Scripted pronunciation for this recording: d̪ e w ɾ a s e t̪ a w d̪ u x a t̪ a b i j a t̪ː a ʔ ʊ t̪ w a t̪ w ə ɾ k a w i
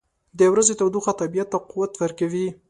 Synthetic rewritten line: d̪ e w ɾ a z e t̪ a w d̪ u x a t̪ a b i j a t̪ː a q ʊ w a t̪ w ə ɾ k a w i